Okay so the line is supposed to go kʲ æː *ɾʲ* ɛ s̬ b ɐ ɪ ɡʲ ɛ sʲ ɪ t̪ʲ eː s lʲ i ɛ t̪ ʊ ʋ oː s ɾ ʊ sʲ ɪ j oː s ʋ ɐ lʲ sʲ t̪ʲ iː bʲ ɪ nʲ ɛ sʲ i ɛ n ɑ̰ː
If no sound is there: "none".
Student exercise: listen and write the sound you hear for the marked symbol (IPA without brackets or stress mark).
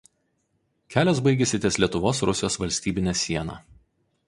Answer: lʲ